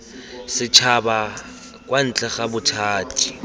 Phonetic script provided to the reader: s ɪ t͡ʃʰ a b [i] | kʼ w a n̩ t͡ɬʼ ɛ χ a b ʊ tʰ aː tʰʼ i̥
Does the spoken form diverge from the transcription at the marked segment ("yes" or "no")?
yes